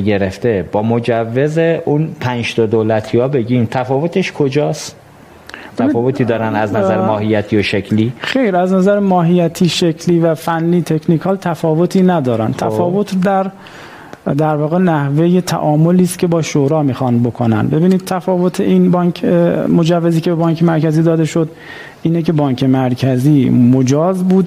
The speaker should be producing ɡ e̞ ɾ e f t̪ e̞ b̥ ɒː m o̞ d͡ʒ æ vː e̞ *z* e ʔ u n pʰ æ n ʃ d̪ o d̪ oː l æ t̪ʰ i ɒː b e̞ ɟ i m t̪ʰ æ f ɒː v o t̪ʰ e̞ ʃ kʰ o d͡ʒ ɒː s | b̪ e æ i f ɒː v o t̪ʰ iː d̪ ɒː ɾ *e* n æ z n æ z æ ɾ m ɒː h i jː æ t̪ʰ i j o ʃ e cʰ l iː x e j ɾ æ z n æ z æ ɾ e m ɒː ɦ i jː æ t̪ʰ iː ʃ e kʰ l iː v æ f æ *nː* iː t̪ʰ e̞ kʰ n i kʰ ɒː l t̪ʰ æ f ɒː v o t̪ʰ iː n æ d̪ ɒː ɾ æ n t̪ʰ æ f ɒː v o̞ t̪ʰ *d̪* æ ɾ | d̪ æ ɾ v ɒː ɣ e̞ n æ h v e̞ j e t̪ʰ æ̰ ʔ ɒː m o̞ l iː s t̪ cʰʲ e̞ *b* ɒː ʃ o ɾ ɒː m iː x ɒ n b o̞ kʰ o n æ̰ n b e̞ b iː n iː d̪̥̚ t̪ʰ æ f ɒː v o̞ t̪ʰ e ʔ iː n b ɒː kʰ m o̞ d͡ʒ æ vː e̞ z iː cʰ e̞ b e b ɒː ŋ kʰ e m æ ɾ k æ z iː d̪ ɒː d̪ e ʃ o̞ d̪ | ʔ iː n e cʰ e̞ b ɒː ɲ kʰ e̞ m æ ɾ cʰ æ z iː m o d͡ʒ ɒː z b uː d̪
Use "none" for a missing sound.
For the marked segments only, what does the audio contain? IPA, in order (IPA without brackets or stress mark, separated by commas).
z, æ, nː, d̪, b